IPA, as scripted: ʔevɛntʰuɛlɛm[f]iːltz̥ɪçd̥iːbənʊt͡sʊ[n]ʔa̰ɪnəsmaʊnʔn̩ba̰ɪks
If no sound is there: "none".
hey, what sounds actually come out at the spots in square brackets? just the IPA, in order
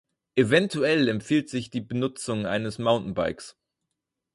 f, ŋ

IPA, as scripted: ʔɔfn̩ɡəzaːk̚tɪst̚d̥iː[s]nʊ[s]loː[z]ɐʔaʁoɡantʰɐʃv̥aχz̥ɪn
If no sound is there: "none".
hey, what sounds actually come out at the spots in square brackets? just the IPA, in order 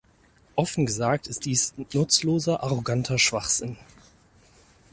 s, t͡s, z

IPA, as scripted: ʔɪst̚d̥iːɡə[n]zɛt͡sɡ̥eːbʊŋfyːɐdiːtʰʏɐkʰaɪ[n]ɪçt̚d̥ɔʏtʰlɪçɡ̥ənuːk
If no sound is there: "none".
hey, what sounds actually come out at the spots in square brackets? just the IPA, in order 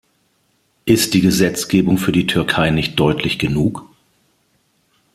none, n

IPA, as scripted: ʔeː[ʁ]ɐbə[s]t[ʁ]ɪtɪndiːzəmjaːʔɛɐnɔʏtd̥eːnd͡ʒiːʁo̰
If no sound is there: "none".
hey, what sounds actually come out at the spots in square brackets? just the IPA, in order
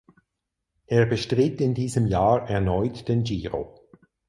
none, ʃ, ʁ

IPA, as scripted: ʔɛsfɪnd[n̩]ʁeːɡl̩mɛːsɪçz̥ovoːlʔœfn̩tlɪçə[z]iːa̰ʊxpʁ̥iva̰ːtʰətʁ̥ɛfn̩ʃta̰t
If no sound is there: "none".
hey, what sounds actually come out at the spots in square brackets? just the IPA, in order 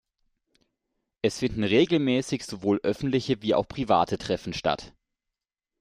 n̩, v

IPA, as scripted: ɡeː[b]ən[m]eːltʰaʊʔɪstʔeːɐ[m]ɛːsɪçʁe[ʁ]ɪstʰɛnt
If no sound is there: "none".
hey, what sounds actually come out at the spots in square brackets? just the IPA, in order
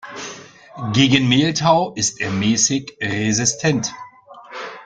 ɡ, m, m, z

